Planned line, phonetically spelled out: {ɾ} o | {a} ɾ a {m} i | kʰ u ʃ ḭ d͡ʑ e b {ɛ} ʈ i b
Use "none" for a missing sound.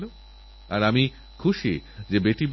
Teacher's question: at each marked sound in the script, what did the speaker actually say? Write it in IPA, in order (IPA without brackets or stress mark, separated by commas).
l, a, m, e